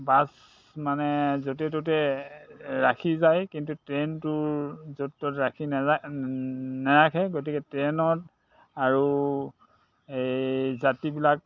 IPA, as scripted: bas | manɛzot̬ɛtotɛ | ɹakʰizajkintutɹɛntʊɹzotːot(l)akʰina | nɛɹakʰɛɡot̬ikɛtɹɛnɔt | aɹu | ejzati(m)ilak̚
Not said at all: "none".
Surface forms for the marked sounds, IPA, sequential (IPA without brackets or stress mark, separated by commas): ɹ, b